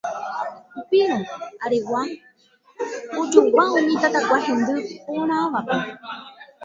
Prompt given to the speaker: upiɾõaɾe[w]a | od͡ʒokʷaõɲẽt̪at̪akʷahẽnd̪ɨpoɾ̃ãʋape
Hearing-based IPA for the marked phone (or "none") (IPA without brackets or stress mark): w